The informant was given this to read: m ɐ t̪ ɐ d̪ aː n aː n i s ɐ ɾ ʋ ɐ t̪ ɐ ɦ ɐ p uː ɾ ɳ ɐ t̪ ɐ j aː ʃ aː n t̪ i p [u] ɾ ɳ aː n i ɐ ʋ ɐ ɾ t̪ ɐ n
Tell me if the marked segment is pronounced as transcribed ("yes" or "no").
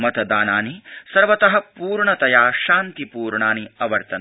no